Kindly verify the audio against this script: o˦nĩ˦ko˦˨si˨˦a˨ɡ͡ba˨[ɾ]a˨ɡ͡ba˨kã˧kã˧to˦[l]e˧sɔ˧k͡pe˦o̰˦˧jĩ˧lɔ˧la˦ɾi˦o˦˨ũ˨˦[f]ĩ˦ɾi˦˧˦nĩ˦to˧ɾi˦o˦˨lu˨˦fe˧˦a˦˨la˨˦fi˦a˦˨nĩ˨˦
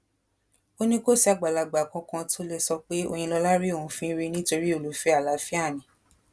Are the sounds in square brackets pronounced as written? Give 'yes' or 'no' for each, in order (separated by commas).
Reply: no, yes, yes